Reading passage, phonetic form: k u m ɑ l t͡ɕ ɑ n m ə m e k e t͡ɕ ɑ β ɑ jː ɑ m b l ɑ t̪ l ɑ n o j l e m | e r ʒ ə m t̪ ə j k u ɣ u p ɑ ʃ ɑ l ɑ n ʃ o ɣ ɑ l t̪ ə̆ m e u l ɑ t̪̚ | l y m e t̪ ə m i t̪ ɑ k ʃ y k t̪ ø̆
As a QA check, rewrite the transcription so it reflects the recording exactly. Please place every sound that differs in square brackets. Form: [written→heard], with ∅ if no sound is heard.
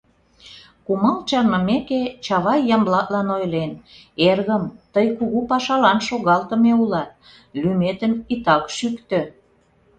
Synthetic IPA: k u m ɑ l t͡ɕ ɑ n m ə m e k e t͡ɕ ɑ β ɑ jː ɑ m b l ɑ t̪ l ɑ n o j l e [m→n] | e r [ʒ→ɣ] ə m t̪ ə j k u ɣ u p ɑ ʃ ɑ l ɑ n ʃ o ɣ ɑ l t̪ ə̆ m e u l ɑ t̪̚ | l y m e t̪ ə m i t̪ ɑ k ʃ y k t̪ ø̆